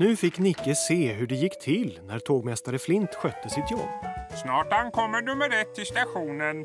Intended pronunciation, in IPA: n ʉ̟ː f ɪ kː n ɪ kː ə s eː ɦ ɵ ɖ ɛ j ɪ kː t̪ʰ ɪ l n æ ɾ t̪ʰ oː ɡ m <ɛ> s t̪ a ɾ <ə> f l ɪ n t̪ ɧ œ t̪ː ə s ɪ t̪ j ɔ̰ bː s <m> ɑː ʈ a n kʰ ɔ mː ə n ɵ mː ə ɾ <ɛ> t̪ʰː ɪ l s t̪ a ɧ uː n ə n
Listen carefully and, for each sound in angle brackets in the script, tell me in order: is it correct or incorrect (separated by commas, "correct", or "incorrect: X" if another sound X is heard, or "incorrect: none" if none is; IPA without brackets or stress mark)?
correct, correct, incorrect: n, correct